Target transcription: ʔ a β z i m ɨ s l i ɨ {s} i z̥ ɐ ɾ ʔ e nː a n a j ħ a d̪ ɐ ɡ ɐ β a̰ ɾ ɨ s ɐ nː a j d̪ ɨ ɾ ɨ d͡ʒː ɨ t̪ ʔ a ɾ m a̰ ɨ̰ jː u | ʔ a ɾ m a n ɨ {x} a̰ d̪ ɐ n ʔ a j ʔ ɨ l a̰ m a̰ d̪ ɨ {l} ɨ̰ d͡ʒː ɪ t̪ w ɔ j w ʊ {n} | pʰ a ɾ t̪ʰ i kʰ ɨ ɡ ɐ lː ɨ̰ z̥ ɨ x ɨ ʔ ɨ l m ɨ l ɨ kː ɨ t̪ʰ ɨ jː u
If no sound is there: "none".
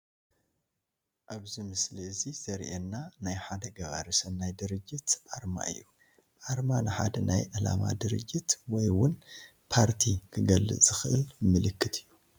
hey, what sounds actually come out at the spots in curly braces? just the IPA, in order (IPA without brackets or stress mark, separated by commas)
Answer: z, ħ, ɾ, n